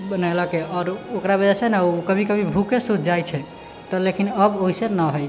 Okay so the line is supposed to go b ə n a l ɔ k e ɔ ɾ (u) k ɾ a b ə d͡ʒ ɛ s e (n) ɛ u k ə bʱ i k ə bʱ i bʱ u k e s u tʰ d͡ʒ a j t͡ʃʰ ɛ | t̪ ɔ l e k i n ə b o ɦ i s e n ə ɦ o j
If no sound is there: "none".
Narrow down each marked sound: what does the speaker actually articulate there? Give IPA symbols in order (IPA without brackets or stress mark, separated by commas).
o, n